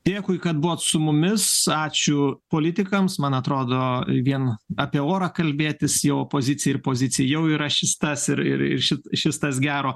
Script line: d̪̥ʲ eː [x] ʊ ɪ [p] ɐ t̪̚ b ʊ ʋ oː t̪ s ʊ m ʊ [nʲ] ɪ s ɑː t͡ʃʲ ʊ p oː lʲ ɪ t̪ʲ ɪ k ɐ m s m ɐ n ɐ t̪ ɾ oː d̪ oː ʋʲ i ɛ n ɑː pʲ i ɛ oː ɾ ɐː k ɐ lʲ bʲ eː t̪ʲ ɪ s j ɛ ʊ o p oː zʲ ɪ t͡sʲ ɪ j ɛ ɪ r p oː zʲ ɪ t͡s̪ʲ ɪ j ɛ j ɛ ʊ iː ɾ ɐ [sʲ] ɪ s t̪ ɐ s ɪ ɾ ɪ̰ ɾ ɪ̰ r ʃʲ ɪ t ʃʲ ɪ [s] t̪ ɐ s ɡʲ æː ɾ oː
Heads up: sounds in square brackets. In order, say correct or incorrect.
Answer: incorrect: k, incorrect: k, incorrect: mʲ, incorrect: ʃʲ, correct

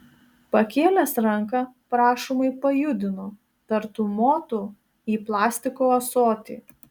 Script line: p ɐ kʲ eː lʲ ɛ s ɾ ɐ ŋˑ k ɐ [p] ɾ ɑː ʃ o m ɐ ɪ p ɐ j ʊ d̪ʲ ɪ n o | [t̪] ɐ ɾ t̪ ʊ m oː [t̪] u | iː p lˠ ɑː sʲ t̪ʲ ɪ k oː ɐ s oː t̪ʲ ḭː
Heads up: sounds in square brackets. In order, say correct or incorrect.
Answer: correct, correct, correct

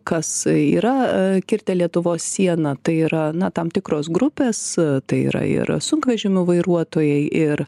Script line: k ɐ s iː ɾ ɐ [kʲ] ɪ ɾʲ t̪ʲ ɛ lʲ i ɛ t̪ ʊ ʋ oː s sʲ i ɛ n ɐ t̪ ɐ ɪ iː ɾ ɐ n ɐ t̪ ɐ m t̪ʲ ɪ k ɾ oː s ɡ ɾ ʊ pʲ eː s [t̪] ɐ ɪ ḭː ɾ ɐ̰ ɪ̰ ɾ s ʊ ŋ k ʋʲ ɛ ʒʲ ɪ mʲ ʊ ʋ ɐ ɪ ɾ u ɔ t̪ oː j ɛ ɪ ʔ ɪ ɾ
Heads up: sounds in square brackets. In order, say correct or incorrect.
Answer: correct, correct

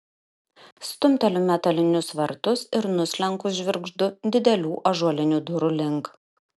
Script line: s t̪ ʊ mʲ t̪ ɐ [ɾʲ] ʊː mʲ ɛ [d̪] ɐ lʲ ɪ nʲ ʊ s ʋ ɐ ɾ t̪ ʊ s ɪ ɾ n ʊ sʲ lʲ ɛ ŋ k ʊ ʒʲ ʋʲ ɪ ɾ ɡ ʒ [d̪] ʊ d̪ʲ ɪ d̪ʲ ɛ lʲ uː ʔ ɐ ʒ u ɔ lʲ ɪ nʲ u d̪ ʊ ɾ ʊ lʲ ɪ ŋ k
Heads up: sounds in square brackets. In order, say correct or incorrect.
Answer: incorrect: lʲ, incorrect: t̪, correct

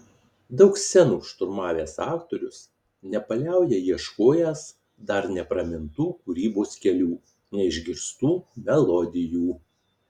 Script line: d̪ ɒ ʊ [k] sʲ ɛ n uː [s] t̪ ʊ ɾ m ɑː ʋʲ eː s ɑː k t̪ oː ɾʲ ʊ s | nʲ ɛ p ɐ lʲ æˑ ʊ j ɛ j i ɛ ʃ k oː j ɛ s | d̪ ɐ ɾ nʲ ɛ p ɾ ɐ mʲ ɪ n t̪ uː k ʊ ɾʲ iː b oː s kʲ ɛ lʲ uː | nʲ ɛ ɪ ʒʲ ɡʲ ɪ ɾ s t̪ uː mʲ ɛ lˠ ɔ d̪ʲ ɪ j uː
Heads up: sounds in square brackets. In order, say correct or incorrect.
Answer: correct, incorrect: ʃ

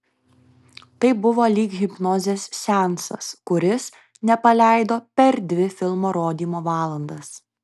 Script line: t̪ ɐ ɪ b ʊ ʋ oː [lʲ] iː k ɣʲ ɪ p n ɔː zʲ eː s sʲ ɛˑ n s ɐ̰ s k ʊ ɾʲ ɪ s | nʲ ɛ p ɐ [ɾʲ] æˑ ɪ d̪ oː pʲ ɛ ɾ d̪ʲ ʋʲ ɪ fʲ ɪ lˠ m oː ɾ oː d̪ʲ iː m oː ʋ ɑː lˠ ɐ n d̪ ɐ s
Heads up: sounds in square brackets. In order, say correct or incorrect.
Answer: correct, incorrect: lʲ

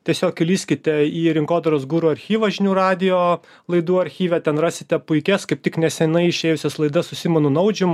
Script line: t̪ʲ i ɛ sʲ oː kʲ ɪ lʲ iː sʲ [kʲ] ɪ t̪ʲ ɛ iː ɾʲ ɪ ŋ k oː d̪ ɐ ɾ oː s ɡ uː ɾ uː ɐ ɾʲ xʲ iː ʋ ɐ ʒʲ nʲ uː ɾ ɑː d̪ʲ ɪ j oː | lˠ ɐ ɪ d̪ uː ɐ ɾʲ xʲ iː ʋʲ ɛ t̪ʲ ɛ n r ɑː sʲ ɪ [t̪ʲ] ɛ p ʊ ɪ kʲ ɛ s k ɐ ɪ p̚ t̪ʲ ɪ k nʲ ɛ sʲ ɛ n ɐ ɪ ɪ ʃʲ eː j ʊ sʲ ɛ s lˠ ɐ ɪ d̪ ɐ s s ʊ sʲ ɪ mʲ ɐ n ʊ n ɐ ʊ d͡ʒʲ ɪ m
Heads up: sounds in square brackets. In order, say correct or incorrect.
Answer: correct, correct

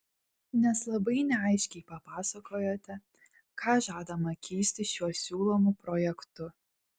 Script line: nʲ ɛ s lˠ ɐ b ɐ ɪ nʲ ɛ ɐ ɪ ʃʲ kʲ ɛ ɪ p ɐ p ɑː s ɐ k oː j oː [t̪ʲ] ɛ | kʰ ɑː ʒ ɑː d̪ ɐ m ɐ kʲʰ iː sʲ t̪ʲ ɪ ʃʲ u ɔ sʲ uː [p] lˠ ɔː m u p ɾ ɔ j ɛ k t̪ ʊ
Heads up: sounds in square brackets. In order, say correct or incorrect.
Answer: correct, incorrect: none

